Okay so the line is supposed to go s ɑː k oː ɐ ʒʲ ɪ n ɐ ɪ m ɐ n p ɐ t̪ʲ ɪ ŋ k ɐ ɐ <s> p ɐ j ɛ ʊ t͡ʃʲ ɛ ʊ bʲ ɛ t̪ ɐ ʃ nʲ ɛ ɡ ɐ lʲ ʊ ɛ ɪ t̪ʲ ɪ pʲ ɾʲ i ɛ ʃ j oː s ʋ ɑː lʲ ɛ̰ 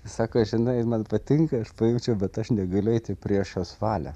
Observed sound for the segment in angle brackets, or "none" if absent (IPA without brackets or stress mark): ʃ